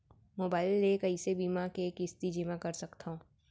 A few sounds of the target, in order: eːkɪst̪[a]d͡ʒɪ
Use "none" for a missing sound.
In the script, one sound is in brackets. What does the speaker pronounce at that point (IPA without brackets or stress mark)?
i